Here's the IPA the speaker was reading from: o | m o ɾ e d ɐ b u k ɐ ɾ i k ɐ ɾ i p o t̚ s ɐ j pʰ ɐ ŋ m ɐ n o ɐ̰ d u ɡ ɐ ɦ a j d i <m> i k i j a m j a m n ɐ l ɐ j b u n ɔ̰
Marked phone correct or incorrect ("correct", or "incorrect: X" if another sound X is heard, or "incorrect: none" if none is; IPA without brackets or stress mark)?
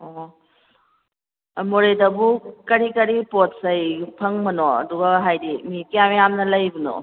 correct